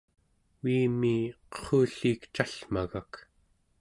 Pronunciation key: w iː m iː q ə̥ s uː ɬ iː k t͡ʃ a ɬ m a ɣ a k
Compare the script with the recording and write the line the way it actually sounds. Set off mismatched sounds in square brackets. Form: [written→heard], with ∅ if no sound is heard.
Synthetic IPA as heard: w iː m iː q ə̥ [s→χ] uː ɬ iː k t͡ʃ a ɬ m a ɣ a k

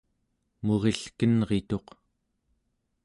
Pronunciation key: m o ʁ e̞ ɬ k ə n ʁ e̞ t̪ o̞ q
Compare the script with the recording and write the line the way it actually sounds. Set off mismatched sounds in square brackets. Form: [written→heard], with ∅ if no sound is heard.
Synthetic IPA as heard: m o ʁ e̞ ɬ k ə n ʁ e̞ t̪ o̞ q

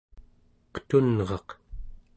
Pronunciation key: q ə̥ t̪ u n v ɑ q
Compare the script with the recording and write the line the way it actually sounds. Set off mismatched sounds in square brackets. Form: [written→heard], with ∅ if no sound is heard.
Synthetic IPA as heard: q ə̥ t̪ u n [v→ʁ] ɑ q

